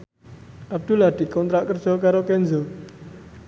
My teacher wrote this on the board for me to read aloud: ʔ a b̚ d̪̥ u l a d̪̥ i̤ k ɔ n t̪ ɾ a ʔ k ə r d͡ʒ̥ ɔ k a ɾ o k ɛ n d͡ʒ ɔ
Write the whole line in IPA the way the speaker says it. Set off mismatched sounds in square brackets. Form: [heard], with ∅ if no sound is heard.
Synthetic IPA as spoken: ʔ a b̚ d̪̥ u l a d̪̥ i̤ k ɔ n t̪ ɾ a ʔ k ə r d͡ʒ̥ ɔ k a ɾ o k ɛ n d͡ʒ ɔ